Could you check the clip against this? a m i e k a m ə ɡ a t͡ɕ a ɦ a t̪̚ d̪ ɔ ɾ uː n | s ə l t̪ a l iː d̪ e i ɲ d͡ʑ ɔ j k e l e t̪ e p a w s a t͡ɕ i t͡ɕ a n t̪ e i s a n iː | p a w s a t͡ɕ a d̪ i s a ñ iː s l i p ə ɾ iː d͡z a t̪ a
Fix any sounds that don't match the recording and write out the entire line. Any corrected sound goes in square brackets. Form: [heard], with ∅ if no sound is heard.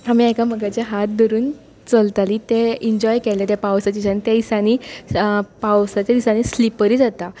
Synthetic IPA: a m i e k a m ə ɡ a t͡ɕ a ɦ a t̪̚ d̪ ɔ ɾ uː n | [t͡s] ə l t̪ a l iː [t̪] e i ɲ d͡ʑ ɔ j k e l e t̪ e p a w s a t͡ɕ i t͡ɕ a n t̪ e i s a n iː | p a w s a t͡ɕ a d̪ i s a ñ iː s l i p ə ɾ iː d͡z a t̪ a